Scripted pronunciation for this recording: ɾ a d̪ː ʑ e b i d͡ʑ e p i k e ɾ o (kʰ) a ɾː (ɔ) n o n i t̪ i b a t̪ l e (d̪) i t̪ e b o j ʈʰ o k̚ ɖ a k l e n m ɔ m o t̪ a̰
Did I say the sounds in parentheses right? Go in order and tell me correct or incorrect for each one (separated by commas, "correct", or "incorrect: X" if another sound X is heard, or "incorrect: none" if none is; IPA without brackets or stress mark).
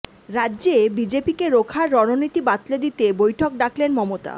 correct, correct, correct